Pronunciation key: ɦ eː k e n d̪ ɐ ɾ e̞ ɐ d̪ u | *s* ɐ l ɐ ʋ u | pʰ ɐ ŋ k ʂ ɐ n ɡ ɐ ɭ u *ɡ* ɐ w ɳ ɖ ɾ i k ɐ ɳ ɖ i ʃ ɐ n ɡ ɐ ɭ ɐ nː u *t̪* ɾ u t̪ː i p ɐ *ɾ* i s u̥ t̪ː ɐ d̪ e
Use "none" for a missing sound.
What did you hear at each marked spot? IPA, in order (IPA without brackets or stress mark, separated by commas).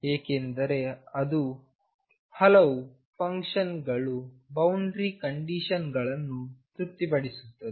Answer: h, b, t̪, ɽ